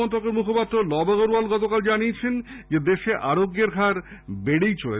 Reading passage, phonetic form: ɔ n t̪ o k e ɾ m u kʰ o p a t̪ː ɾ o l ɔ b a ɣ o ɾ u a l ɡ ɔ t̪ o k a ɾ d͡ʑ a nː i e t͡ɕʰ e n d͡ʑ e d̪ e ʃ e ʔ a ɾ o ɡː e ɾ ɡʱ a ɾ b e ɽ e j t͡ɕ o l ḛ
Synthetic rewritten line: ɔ n t̪ o k e ɾ m u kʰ o p a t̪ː ɾ o l ɔ b a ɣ o ɾ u a l ɡ ɔ t̪ o k a l d͡ʑ a n i e t͡ɕʰ e n d͡ʑ e d̪ e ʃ e ʔ a ɾ o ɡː e ɾ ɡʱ a ɾ b e ɽ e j t͡ɕ o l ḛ

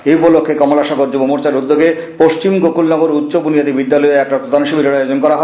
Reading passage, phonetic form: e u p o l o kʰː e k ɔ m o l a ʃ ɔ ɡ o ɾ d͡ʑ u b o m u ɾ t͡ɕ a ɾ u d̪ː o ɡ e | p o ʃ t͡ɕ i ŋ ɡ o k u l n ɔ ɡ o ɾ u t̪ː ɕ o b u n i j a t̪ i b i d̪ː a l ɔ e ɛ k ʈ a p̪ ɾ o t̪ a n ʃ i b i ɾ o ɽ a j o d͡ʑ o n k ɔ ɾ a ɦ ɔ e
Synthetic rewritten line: e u p o l o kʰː e k ɔ m o l a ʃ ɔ ɡ o ɾ d͡ʑ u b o m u ɾ t͡ɕ a ɾ u d̪ː o ɡ e | p o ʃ t͡ɕ i m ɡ o k u l n ɔ ɡ o ɾ u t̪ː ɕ o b u n i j a t̪ i b i d̪ː a l ɔ e ɛ k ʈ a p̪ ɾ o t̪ a n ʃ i b i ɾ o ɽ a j o d͡ʑ o n k ɔ ɾ a ɦ ɔ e

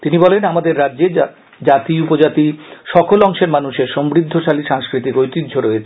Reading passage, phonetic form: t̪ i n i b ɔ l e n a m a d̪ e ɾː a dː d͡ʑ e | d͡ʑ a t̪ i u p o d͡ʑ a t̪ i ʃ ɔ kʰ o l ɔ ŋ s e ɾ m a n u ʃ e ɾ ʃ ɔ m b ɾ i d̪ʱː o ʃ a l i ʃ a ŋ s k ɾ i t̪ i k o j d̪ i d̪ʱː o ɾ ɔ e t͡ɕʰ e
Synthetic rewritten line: t̪ i n i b ɔ l e n a m a d̪ e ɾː a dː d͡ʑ e | d͡ʑ a t̪ i u p o d͡ʑ a t̪ i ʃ ɔ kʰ o l ɔ ŋ ʃ e ɾ m a n u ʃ e ɾ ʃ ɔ m b ɾ i d̪ʱː o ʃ a l i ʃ a ŋ s k ɾ i t̪ i k o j t̪ i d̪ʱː o ɾ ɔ e t͡ɕʰ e

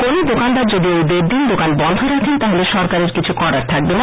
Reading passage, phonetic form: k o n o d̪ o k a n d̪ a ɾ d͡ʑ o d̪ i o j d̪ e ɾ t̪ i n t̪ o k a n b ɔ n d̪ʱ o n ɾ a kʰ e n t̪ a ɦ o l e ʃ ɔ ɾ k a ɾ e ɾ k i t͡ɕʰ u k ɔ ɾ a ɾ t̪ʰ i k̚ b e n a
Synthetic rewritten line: k o n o d̪ o k a n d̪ a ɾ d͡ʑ o d̪ i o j d̪ e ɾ d̪ i n d̪ o k a n b ɔ n d̪ʱ o ɾ a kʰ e n t̪ a ɦ o l e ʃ ɔ ɾ k a ɾ e ɾ k i t͡ɕʰ u k ɔ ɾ a ɾ t̪ʰ a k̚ b e n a

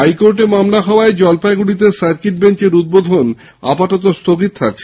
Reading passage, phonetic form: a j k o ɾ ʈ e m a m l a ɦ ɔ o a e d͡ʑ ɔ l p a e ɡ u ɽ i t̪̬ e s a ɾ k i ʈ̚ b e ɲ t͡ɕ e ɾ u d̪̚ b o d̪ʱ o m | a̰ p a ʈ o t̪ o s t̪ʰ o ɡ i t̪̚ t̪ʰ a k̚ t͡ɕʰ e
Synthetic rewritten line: a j k o ɾ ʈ e m a m l a ɦ ɔ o a e d͡ʑ ɔ l p a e ɡ u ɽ i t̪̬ e s a ɾ k i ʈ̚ b e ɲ t͡ɕ e ɾ u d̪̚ b o d̪ʱ o n | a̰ p a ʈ o t̪ o s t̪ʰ o ɡ i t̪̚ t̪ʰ a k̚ t͡ɕʰ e

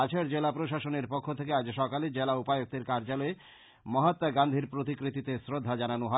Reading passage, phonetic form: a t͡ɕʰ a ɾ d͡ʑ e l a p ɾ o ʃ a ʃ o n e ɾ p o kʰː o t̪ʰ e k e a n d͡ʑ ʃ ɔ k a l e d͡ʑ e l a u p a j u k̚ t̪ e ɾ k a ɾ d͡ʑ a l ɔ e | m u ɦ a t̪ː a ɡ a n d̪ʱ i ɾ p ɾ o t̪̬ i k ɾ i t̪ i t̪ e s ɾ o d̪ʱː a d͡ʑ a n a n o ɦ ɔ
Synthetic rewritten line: a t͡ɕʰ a ɾ d͡ʑ e l a p ɾ o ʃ a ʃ o n e ɾ p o kʰː o t̪ʰ e k e a d͡ʑ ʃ ɔ k a l e d͡ʑ e l a u p a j o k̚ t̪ e ɾ k a ɾ d͡ʑ a l ɔ e | m ɔ ɦ a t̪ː a ɡ a n d̪ʱ i ɾ p ɾ o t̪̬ i k ɾ i t̪ i t̪ e s ɾ o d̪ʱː a d͡ʑ a n a n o ɦ ɔ

